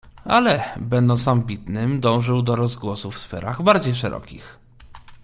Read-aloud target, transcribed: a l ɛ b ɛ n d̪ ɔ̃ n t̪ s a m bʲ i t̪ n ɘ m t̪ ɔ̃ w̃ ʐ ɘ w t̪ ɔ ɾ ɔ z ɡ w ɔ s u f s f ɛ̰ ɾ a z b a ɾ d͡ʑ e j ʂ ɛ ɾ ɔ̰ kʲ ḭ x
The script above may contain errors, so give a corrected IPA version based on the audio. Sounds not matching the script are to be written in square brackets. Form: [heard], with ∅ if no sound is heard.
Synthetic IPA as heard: a l ɛ b ɛ n d̪ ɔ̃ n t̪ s a m bʲ i t̪ n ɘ m [d̪] ɔ̃ w̃ ʐ ɘ w [d̪] ɔ ɾ ɔ z ɡ w ɔ s u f s f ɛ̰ ɾ a [ɣ] b a ɾ d͡ʑ e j ʂ ɛ ɾ ɔ̰ kʲ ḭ x